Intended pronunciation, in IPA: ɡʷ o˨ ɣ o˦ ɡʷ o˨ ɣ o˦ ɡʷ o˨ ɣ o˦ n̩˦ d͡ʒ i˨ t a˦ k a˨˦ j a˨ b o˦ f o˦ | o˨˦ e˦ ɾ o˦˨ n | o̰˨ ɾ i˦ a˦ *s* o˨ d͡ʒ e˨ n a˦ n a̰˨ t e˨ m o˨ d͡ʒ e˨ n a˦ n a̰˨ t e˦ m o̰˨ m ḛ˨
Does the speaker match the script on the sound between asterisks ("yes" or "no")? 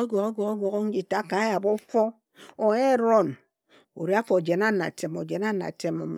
no